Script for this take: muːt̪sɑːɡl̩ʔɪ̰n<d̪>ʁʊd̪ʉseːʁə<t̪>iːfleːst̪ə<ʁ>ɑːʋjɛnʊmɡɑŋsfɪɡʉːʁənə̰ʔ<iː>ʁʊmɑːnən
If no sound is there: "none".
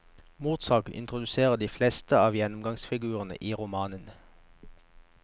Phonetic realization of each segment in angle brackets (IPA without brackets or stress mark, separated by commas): t̪, d̪, none, iː